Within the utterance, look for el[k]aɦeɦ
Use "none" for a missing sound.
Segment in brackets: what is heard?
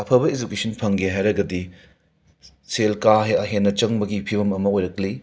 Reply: k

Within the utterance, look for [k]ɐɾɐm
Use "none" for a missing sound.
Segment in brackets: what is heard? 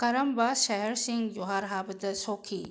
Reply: k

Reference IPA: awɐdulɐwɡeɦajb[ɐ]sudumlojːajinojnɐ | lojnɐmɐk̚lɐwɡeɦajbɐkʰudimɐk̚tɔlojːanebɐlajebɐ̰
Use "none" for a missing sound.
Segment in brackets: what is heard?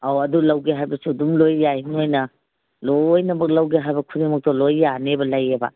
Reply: ɐ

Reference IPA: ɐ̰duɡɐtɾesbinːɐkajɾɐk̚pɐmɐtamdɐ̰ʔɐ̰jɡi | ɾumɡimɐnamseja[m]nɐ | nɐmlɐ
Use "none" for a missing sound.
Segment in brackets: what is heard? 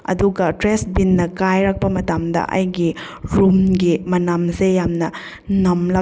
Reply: m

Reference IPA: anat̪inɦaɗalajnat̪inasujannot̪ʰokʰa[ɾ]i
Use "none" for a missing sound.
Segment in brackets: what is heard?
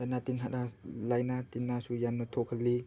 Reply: l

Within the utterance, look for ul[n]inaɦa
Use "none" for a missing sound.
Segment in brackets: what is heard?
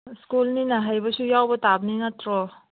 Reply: n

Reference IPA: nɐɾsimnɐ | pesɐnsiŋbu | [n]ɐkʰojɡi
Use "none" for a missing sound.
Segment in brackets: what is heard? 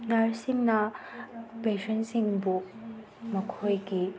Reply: m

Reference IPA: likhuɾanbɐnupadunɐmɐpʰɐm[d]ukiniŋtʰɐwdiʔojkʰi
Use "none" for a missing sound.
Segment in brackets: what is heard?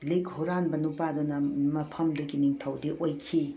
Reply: d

